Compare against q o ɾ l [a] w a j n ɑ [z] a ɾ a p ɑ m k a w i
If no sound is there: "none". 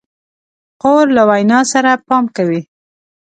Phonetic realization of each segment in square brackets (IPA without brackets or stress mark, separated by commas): a, s